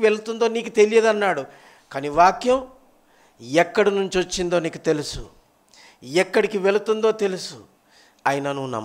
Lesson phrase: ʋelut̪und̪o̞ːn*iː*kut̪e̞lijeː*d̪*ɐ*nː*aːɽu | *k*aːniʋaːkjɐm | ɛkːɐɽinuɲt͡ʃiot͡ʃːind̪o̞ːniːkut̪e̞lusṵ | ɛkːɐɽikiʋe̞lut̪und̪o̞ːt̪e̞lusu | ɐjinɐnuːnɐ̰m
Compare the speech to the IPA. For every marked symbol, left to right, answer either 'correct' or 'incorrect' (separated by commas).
correct, correct, correct, correct